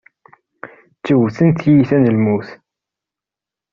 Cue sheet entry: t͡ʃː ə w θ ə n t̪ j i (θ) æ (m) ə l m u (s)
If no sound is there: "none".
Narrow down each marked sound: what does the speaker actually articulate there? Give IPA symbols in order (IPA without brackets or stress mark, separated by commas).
θ, n, θ